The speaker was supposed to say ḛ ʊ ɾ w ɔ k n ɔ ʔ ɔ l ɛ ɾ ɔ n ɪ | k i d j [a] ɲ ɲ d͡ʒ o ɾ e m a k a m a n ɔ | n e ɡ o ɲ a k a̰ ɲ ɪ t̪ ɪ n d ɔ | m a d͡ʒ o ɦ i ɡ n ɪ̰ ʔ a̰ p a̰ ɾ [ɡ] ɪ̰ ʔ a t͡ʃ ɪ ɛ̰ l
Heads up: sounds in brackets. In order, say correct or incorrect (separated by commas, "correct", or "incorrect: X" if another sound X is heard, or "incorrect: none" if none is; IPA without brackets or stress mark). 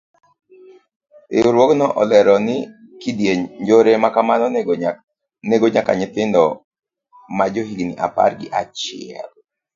incorrect: e, correct